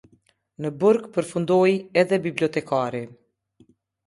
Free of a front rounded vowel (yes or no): yes